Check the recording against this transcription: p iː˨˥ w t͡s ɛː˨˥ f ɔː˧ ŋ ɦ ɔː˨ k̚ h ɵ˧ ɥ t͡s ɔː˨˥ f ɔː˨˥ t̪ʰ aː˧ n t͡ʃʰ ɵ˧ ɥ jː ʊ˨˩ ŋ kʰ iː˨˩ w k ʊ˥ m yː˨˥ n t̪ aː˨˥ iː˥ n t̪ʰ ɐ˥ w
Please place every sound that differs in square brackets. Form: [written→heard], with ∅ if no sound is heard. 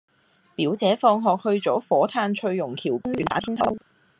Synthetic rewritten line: p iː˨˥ w t͡s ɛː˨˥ f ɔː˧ ŋ ɦ ɔː˨ k̚ h ɵ˧ ɥ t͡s ɔː˨˥ f ɔː˨˥ t̪ʰ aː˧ n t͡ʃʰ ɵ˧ ɥ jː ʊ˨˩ ŋ kʰ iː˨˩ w k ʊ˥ [m→ŋ] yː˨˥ n t̪ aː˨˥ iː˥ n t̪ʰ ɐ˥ w